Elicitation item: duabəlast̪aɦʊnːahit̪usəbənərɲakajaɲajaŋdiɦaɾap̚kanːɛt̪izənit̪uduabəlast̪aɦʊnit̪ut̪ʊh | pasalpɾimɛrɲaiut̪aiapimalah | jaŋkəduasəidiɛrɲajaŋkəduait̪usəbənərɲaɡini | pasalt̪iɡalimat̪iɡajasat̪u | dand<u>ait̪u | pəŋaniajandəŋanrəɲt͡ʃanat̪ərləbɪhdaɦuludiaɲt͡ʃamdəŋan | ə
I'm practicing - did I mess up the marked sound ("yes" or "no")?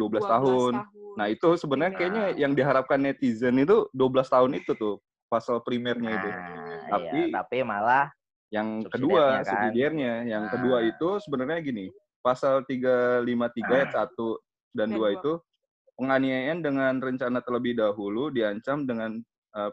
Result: no